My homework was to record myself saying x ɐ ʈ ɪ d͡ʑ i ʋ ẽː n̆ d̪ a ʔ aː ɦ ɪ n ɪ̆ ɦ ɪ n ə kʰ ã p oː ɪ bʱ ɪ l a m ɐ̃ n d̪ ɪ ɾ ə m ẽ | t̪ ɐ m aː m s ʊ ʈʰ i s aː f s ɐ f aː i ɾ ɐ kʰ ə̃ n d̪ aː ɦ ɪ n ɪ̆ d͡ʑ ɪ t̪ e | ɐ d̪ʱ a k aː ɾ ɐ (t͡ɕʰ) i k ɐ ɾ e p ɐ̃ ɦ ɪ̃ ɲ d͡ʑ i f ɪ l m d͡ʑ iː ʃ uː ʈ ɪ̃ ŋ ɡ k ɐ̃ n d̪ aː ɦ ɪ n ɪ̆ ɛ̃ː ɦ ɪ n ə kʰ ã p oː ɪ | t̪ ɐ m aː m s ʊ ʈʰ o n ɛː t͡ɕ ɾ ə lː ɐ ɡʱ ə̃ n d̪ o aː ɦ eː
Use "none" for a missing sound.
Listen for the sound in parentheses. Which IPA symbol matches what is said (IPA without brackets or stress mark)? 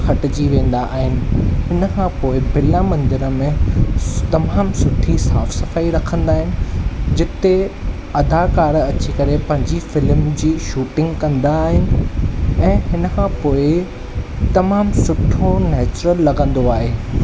t͡ɕ